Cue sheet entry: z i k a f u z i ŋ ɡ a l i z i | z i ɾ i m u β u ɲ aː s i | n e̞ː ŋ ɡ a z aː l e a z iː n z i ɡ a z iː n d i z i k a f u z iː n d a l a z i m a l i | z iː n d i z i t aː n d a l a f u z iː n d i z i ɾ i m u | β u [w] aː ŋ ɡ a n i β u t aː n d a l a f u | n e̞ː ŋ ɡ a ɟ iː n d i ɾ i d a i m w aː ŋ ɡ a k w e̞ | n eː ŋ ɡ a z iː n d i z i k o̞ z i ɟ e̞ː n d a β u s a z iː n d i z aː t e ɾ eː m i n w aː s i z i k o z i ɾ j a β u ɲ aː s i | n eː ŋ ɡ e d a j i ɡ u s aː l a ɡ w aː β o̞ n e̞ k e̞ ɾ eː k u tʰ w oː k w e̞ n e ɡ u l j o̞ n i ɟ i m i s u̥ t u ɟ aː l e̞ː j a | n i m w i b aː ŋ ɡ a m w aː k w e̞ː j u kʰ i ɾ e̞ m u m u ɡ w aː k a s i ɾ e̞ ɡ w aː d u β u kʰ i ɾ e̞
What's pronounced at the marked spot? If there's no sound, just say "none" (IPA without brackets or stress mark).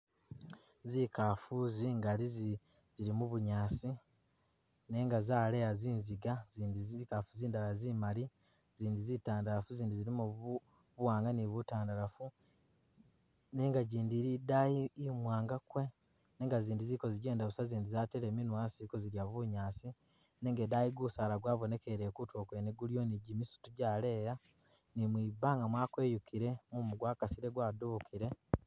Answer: w